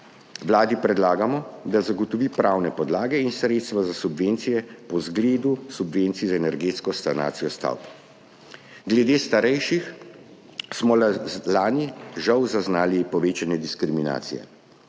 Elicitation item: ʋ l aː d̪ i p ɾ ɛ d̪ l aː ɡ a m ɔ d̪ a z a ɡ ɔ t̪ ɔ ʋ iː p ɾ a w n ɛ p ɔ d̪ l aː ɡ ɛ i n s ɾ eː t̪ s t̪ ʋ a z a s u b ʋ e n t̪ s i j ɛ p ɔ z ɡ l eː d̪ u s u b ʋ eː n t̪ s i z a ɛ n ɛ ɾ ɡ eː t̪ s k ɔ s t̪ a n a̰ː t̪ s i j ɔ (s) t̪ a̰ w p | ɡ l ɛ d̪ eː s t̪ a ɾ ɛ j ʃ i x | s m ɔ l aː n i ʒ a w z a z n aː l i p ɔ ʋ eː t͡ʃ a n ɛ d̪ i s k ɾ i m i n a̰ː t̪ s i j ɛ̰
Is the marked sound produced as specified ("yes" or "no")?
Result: yes